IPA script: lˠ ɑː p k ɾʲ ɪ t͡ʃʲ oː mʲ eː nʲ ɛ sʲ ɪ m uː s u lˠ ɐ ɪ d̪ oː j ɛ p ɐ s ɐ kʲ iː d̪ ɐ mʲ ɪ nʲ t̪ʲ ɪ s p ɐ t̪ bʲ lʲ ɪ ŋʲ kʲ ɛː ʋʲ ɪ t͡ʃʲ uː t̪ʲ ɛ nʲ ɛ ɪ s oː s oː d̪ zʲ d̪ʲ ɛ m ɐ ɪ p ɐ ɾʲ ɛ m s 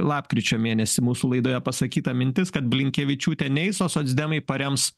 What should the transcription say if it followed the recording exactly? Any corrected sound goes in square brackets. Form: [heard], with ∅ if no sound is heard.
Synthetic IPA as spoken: lˠ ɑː p k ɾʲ ɪ t͡ʃʲ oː mʲ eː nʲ ɛ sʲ ɪ m uː s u lˠ ɐ ɪ d̪ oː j ɛ p ɐ s ɐ kʲ iː [t̪] ɐ mʲ ɪ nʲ t̪ʲ ɪ s [k] ɐ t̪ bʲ lʲ ɪ ŋʲ kʲ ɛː ʋʲ ɪ t͡ʃʲ uː t̪ʲ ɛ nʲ ɛ ɪ s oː s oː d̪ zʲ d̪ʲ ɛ m ɐ ɪ p ɐ ɾʲ ɛ m s